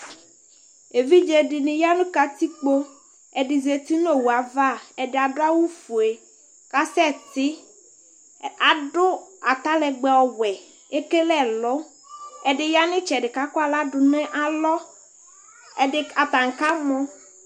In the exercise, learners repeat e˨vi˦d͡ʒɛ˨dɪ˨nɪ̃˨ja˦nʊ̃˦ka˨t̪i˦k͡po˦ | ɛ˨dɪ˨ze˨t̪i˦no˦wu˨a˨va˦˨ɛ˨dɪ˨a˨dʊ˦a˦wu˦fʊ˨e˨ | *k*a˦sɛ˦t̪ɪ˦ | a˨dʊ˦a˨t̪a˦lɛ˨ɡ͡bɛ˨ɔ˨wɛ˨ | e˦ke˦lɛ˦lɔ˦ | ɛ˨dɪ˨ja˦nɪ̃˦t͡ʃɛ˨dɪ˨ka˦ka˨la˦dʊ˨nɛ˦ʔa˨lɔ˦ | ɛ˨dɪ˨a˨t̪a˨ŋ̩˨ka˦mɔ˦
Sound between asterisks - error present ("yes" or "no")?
no